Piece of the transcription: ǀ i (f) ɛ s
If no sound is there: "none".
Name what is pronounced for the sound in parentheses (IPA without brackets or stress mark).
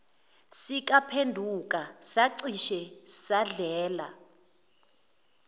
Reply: ʃ